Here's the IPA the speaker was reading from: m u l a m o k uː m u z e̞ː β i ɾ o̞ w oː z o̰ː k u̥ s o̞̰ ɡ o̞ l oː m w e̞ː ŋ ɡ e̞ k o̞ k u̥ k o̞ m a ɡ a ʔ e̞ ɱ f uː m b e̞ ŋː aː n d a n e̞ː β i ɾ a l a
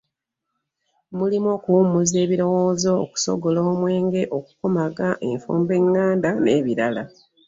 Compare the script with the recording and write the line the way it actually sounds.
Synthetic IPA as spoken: m u l i m o k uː m u z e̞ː β i ɾ o̞ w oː z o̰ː k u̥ s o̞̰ ɡ o̞ l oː m w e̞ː ŋ ɡ e̞ ʔ o̞ k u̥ k o̞ m a ɡ a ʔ e̞ ɱ f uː m b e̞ ŋː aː n d a n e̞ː β i ɾ a l a